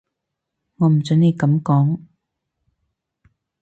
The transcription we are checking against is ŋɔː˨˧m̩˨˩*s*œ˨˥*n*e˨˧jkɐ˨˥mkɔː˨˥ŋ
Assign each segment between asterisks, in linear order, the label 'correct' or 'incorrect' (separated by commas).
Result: incorrect, correct